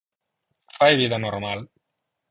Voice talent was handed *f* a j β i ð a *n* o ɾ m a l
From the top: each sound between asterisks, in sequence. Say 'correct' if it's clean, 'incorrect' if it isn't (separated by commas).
correct, correct